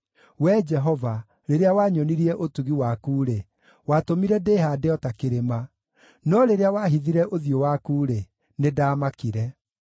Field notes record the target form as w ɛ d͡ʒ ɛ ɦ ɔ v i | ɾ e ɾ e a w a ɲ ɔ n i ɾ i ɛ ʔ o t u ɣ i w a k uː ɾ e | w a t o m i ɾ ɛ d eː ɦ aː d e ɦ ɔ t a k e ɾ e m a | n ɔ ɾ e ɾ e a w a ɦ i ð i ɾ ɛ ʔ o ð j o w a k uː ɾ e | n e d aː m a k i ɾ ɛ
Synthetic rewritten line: w ɛ d͡ʒ ɛ ɦ ɔ v a | ɾ e ɾ e a w a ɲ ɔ n i ɾ i ɛ ʔ o t u ɣ i w a k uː ɾ e | w a t o m i ɾ ɛ d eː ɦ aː d e ɔ t a k e ɾ e m a | n ɔ ɾ e ɾ e a w a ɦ i ð i ɾ ɛ ʔ o ð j o w a k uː ɾ e | n e d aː m a k i ɾ ɛ